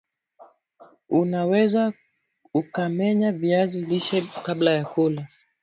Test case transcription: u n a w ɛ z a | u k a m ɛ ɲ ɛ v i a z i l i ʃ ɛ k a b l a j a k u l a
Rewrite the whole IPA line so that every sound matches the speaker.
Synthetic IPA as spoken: u n a w ɛ z a | u k a m ɛ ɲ a v i a z i l i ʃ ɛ k a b l a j a k u l a